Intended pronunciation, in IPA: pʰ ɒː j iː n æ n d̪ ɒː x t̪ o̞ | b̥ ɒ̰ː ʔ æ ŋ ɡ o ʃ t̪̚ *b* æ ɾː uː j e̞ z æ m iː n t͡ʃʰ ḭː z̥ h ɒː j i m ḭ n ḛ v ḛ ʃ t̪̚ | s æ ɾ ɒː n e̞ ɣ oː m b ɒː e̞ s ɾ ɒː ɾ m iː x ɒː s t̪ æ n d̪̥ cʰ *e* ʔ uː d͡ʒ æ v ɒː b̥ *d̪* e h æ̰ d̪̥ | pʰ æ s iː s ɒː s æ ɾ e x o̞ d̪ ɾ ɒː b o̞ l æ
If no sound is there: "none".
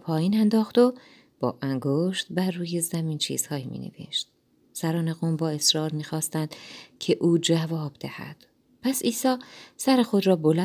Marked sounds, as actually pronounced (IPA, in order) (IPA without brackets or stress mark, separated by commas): b, e, d̪